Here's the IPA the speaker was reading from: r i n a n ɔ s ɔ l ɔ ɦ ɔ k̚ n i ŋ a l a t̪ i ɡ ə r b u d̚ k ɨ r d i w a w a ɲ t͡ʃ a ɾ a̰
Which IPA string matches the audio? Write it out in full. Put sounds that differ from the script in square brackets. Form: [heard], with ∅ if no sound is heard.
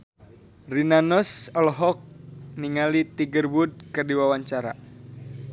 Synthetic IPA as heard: r i n a n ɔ s ɔ l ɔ ɦ ɔ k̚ n i ŋ a l [i] t̪ i ɡ ə r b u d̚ k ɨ r d i w a w a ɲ t͡ʃ a ɾ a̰

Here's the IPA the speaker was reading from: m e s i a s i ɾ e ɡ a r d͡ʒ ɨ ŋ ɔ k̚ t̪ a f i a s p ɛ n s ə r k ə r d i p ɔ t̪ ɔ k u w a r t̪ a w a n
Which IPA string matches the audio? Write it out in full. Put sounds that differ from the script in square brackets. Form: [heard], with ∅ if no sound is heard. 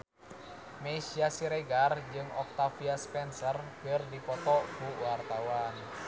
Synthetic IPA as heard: m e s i a s i ɾ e ɡ a r d͡ʒ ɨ ŋ ɔ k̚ t̪ a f i a s p ɛ n s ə r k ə r d i p ɔ t̪ ɔ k u w a r t̪ a w a n

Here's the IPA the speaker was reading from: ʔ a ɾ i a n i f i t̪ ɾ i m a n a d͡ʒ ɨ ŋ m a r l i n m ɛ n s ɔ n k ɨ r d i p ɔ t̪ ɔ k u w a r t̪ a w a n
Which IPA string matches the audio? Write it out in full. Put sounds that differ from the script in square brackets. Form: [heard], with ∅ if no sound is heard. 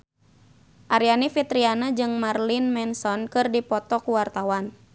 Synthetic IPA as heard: ʔ a ɾ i a n i f i t̪ ɾ i [∅] a n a d͡ʒ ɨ ŋ m a r l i n m ɛ n s ɔ n k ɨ r d i p ɔ t̪ ɔ k u w a r t̪ a w a n

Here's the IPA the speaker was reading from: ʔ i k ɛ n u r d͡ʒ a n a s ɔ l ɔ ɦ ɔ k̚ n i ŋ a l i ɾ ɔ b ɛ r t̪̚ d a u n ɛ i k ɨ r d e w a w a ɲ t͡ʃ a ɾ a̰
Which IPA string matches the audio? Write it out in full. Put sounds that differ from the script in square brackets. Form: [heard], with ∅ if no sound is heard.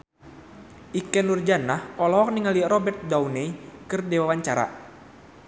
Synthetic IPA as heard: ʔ i k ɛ n u r d͡ʒ a n a [h] ɔ l ɔ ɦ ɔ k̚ n i ŋ a l i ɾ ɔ b ɛ r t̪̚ d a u n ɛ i k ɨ r d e w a w a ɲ t͡ʃ a ɾ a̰

